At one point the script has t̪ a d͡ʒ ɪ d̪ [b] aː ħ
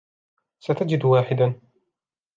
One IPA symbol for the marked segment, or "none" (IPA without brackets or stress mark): w